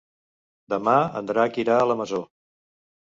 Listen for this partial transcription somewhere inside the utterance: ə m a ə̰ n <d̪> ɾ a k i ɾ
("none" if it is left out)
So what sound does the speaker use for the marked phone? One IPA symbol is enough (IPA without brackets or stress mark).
d̪